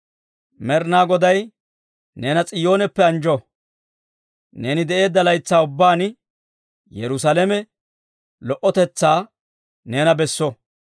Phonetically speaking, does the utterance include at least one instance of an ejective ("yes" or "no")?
yes